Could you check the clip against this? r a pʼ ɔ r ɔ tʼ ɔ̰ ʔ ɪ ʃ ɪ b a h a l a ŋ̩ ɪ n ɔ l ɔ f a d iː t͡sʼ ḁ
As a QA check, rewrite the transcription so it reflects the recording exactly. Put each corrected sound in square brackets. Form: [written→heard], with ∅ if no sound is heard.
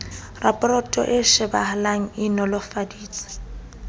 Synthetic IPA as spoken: r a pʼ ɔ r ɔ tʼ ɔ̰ ʔ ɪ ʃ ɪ b a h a l a ŋ̩ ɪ n ɔ l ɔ f a d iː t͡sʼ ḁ